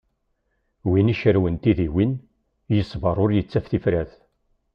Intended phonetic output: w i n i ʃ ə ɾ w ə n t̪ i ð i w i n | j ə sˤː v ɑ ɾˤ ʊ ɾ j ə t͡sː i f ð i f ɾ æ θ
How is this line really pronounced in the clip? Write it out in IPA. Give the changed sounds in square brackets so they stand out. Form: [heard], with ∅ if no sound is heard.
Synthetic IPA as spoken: w i n i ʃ ə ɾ w ə n t̪ i ð i w i n | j ə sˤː v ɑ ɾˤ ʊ ɾ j ə t͡sː [æ] f [θ] i f ɾ æ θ